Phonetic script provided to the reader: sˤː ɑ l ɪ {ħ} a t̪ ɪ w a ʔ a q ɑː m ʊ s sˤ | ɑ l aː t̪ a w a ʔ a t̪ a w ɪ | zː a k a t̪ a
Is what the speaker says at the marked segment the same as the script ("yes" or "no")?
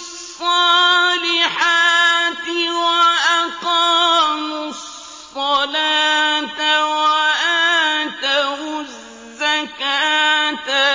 yes